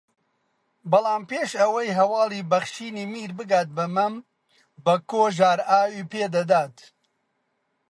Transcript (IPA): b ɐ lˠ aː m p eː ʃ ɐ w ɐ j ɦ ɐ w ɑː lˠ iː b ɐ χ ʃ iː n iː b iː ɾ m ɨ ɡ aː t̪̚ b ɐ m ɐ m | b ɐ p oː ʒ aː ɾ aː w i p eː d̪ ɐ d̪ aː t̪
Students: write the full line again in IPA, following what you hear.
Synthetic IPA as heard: b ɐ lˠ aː m p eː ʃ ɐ w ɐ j ɦ ɐ w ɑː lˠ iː b ɐ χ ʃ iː n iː m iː ɾ b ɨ ɡ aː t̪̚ b ɐ m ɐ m | b ɐ k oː ʒ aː ɾ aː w i p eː d̪ ɐ d̪ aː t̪